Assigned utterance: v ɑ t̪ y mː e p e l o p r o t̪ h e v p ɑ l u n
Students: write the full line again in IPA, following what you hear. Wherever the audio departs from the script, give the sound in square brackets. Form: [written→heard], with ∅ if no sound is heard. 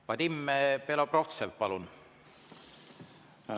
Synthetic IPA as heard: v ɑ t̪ [y→i] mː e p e l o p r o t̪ [h→s] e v p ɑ l u n